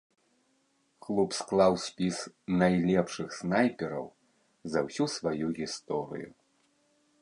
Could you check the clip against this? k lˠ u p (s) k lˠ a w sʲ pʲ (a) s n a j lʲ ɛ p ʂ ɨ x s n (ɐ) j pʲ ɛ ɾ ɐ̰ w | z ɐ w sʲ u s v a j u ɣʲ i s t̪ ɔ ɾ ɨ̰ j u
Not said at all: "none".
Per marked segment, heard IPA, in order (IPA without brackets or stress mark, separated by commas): s, i, a